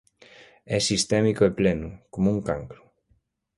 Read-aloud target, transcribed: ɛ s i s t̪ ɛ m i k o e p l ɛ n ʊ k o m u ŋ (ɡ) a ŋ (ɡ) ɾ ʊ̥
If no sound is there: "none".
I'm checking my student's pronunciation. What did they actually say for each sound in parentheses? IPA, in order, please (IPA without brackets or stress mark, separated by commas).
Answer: k, k